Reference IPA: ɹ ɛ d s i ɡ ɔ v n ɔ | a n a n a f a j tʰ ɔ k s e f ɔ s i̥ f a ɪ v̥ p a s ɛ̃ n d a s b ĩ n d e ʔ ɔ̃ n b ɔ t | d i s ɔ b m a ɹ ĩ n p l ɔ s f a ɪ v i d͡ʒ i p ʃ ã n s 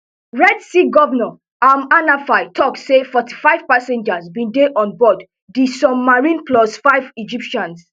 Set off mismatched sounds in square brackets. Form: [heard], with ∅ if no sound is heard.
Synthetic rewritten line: ɹ ɛ d s i ɡ ɔ v n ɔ | a [m] a n a f a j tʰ ɔ k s e f ɔ [t] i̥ f a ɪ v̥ p a s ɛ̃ n [d͡ʒ] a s b ĩ n d e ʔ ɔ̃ n b ɔ [d] | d i s ɔ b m a ɹ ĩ n p l ɔ s f a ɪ v i d͡ʒ i p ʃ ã n s